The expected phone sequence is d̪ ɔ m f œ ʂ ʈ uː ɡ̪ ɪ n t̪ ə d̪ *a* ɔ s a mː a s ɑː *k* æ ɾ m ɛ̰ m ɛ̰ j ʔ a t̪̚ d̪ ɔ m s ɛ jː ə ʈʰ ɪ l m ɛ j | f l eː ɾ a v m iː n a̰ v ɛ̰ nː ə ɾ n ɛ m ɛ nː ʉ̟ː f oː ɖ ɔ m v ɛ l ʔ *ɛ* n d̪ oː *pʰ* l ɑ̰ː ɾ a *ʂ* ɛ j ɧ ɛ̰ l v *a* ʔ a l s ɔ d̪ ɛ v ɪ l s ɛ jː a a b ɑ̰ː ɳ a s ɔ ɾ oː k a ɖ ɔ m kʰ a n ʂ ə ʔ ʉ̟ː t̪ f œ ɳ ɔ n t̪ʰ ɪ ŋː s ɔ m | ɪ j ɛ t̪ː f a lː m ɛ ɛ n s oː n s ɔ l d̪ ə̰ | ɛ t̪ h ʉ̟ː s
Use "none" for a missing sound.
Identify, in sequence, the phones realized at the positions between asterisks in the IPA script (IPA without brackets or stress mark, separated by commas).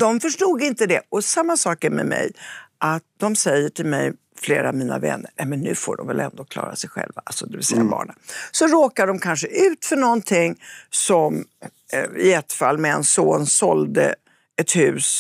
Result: ɛ, k, ɛ, kʰ, s, a